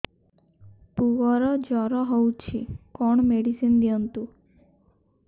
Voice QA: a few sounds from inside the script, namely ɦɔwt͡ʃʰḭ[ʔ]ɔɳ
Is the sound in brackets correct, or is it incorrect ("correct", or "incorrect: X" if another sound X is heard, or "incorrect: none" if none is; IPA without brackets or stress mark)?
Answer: incorrect: k